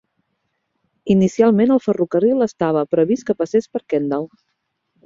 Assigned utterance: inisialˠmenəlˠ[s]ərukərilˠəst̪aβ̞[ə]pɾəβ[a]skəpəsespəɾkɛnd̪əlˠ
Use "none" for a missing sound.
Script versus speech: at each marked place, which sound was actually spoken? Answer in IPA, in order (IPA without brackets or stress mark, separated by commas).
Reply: f, ə, i